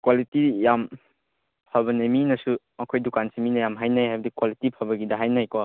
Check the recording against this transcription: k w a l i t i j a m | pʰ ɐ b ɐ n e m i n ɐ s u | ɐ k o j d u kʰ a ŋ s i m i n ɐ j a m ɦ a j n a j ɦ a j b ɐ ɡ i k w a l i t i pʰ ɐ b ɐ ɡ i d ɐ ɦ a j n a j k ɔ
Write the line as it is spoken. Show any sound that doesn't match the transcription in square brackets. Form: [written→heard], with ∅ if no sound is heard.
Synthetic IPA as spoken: k w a l i t i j a m | pʰ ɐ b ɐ n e m i n ɐ s u | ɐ [k→kʰ] o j d u [kʰ→k] a [ŋ→n] s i m i n ɐ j a m ɦ a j n a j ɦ a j b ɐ [ɡ→d] i k w a l i t i pʰ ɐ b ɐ ɡ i d ɐ ɦ a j n a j k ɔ